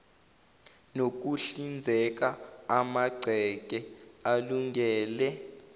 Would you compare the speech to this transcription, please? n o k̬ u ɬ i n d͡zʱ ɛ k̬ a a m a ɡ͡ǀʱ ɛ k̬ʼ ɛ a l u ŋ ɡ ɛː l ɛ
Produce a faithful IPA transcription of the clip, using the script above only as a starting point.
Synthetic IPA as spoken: n o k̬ u ɬ i n d͡zʱ ɛ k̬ a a m a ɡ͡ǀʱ ɛ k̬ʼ ɛ a l u ŋ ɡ ɛː l ɛ